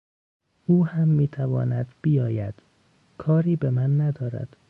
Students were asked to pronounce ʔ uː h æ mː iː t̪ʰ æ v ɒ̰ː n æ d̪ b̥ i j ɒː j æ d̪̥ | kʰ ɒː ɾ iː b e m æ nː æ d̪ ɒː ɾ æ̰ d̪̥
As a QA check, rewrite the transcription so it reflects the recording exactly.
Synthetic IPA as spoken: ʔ uː h æ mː iː t̪ʰ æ v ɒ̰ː n æ d̪ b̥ i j ɒː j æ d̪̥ | kʰ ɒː ɾ iː b e m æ nː æ d̪ ɒː ɾ æ̰ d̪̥